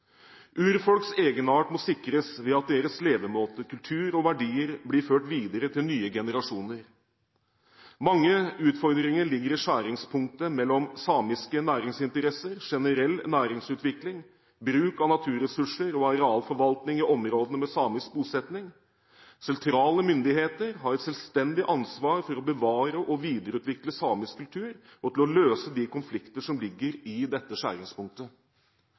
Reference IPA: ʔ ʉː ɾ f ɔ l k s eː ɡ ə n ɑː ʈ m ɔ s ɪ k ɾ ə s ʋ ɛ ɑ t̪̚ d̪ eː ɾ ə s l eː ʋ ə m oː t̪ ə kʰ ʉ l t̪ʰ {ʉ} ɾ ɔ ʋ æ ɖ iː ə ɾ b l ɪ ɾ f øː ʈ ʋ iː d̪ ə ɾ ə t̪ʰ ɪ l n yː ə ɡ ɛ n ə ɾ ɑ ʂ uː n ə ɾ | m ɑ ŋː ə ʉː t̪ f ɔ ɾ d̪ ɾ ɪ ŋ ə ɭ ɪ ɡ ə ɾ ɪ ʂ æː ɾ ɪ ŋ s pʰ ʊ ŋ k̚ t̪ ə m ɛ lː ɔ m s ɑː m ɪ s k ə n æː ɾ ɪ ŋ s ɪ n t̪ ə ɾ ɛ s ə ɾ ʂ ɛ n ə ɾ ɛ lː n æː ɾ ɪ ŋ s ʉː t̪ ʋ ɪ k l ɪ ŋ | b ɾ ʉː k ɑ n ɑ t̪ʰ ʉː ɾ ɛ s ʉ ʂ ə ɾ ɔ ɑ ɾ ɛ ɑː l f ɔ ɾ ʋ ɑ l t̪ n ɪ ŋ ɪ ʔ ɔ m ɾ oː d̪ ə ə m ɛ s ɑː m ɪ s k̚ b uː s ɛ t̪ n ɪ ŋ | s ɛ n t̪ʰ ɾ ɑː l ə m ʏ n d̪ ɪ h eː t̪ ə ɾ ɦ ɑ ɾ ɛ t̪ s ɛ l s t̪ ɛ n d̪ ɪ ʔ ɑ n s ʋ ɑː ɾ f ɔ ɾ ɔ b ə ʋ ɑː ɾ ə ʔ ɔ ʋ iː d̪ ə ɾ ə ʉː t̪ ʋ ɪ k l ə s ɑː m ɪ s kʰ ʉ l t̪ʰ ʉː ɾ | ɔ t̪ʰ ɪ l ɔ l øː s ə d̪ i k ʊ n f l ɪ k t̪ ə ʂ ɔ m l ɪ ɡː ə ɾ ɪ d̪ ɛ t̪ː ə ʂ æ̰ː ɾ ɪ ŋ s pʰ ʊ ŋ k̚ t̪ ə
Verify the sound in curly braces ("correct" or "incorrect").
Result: incorrect